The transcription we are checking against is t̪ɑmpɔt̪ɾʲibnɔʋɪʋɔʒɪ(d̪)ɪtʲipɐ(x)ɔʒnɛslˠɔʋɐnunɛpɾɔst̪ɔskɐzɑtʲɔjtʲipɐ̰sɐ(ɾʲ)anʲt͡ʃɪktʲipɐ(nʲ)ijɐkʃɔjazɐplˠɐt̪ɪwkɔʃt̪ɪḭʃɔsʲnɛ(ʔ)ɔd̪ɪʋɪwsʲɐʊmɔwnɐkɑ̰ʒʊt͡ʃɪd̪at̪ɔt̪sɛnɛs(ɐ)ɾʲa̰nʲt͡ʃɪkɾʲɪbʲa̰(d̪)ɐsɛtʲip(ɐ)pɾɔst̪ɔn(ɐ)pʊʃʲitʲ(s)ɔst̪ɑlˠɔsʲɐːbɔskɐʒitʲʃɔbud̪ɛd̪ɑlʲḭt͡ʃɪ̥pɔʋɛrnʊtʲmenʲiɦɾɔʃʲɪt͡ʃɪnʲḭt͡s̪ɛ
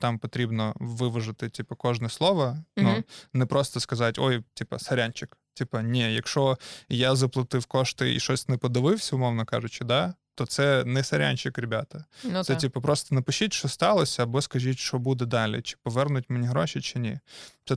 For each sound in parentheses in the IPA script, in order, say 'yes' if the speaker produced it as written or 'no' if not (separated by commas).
no, no, yes, yes, no, yes, no, yes, yes, no